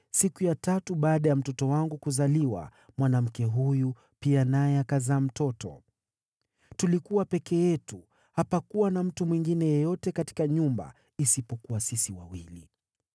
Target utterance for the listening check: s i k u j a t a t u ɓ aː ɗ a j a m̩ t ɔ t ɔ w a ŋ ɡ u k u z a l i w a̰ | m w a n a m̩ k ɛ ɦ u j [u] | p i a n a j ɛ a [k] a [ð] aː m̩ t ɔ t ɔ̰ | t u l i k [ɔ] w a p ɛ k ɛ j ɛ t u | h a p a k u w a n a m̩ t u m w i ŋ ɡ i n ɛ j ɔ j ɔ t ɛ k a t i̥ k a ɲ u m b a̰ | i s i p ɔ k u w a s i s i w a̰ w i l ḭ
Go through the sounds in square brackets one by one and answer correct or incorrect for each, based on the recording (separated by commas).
correct, correct, incorrect, incorrect